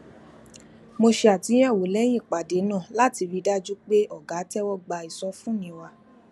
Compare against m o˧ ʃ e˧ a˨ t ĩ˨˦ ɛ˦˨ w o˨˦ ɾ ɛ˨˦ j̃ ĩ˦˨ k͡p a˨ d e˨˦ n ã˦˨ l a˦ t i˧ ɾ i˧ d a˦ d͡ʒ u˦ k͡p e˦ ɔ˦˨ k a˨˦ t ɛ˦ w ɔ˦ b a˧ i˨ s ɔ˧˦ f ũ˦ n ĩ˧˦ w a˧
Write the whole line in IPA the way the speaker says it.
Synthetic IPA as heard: m o˧ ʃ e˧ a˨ t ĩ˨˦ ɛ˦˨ w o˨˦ l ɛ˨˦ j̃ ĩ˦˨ k͡p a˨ d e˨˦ n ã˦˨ l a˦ t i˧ ɾ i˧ d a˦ d͡ʒ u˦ k͡p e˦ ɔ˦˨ ɡ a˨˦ t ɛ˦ w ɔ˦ ɡ͡b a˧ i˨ s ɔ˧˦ f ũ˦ n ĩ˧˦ w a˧